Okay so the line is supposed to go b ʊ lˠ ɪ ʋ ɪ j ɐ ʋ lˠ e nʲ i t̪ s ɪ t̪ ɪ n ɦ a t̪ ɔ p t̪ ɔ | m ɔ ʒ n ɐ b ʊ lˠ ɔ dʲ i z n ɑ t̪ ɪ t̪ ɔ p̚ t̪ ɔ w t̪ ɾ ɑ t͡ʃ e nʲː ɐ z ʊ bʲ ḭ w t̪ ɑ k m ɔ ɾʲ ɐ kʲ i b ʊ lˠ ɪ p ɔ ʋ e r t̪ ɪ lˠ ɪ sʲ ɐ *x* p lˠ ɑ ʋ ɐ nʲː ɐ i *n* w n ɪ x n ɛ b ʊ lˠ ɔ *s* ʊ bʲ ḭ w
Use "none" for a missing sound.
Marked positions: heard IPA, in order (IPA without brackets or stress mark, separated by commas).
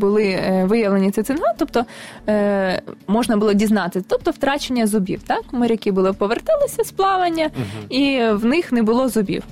s, none, z